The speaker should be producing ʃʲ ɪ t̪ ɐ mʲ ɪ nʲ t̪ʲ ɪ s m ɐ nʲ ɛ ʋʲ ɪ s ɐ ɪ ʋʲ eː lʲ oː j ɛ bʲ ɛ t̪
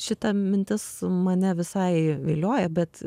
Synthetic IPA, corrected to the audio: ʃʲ ɪ t̪ ɐ mʲ ɪ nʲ t̪ʲ ɪ s m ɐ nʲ ɛ ʋʲ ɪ s ɐ ɪ ʋʲ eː lʲ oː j ɛ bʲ ɛ t̪